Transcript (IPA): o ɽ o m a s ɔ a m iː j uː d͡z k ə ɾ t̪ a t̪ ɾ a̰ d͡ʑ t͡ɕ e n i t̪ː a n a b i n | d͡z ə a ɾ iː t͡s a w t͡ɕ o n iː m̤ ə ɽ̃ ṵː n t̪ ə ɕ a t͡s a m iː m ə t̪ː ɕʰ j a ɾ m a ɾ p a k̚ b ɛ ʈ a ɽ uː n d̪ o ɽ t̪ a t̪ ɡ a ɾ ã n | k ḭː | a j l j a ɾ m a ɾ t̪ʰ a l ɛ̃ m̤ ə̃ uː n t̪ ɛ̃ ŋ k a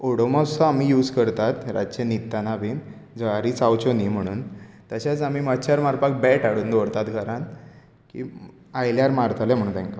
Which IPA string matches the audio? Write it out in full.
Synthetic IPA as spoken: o ɽ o m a s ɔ a m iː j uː d͡z k ə ɾ t̪ a t̪ ɾ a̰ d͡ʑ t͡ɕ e n i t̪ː a n a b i n | d͡z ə a ɾ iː t͡s a w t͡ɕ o n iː m̤ ə ɽ̃ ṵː n t̪ ə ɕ a t͡s a m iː m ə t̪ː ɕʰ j a ɾ m a ɾ p a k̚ b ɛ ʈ a ɽ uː n d̪ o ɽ t̪ a t̪ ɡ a ɾ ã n | k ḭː | a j l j a ɾ m a ɾ t̪ʰ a l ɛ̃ m̤ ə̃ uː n t̪ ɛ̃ ŋ k a